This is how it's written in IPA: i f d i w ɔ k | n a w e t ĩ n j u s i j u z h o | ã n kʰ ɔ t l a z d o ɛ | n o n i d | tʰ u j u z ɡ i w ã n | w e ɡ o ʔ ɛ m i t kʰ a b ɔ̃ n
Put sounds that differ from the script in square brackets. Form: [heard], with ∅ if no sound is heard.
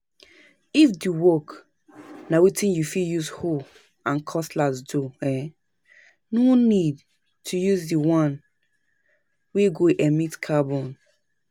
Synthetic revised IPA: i f d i w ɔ k | n a w [i] t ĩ n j u [f] i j u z h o | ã n kʰ ɔ [s] l a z d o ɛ | n o n i d | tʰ u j u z [d] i w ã n | w e ɡ o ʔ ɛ m i t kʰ a b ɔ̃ n